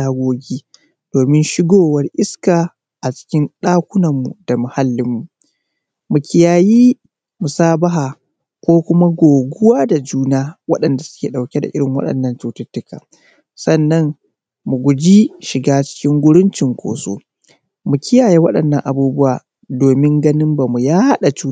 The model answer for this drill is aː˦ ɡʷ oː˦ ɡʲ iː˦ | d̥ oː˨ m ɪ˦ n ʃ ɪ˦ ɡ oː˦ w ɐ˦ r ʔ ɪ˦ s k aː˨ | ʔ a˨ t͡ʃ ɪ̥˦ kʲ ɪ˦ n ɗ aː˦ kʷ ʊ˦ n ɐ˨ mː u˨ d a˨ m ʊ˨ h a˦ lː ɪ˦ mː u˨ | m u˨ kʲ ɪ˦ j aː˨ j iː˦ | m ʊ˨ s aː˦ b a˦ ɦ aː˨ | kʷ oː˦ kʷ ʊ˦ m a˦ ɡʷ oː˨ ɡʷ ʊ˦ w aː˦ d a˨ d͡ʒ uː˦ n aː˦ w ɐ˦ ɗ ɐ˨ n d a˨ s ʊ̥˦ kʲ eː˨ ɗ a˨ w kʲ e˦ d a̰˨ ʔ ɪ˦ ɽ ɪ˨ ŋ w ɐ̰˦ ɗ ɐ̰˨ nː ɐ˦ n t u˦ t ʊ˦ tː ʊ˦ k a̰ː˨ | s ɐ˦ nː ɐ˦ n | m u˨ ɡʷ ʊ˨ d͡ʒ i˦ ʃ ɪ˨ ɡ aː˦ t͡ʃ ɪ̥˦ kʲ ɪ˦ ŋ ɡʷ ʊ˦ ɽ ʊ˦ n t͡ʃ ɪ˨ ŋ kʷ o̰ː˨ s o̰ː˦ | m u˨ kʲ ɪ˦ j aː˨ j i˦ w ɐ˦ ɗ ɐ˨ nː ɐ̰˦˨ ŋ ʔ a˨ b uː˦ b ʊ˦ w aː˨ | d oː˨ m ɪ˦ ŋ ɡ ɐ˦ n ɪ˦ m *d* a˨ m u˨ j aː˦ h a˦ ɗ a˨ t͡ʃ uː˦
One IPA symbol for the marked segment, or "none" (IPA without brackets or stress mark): b